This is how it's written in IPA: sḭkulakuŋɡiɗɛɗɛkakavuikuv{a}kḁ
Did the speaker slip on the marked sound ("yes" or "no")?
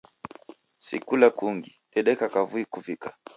yes